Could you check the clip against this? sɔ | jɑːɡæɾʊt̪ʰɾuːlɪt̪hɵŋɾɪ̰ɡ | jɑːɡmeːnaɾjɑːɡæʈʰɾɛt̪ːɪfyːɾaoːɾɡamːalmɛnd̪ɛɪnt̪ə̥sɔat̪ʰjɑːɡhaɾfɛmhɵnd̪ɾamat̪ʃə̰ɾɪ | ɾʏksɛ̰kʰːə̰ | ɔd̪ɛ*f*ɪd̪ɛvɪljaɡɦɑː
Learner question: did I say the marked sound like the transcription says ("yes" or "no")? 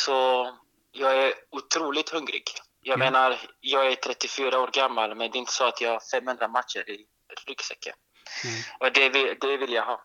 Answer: no